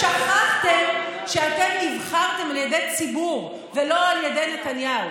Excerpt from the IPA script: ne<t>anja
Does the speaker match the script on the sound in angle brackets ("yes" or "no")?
yes